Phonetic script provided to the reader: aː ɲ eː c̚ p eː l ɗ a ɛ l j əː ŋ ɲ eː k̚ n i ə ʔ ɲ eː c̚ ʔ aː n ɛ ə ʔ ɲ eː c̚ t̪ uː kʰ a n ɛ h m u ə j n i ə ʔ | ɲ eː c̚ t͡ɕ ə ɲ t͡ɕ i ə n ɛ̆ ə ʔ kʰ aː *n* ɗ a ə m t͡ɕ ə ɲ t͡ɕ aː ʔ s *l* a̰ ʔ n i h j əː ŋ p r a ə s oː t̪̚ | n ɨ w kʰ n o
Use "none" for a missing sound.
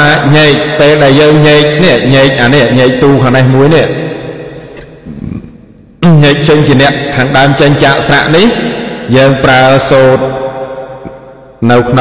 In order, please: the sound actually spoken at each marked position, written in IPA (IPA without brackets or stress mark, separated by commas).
ŋ, r